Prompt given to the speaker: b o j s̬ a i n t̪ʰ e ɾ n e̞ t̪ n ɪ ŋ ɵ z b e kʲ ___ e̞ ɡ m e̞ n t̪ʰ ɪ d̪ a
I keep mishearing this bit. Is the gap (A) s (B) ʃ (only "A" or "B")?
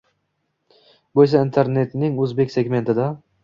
A